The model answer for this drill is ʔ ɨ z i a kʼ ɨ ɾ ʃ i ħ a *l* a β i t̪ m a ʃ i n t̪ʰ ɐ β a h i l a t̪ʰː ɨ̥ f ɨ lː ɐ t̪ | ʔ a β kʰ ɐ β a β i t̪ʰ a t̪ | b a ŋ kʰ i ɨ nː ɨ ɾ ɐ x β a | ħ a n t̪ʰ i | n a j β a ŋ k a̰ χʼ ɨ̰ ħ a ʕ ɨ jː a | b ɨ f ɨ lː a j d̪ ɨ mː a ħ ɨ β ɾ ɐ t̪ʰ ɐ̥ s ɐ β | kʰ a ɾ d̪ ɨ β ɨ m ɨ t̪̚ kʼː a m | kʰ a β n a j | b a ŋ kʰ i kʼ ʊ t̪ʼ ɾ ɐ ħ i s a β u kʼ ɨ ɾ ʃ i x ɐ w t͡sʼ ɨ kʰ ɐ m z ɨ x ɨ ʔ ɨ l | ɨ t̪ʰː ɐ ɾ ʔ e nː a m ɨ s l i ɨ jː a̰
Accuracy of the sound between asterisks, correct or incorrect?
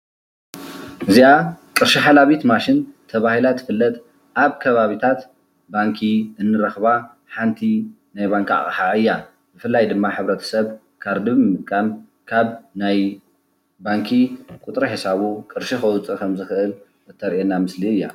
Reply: correct